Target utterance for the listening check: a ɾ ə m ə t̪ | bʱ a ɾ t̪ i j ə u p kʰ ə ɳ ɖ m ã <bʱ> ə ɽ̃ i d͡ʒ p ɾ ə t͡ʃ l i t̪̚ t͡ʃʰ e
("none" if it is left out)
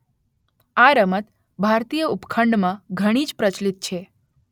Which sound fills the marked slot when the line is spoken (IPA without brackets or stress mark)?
ɡʱ